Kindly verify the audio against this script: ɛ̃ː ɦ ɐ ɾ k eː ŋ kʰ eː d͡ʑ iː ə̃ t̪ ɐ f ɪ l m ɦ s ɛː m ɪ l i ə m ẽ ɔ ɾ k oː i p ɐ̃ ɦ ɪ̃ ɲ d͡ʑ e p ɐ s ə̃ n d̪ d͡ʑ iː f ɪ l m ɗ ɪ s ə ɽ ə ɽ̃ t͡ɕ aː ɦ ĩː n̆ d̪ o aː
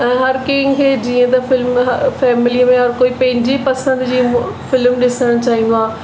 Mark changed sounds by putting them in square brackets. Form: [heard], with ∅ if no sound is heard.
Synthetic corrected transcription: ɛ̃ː ɦ ɐ ɾ k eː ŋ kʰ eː d͡ʑ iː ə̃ t̪ ɐ f ɪ l m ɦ [f] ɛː m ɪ l i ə m ẽ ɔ ɾ k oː i p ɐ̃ ɦ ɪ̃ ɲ d͡ʑ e p ɐ s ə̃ n d̪ d͡ʑ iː f ɪ l m ɗ ɪ s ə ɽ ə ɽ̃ t͡ɕ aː ɦ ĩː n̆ d̪ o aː